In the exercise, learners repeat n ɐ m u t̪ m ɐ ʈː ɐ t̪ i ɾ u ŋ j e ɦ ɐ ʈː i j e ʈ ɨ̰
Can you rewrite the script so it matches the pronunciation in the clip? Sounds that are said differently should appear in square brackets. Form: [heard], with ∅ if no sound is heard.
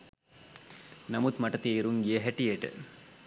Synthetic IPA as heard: n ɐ m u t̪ m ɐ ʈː ɐ t̪ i ɾ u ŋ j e ɦ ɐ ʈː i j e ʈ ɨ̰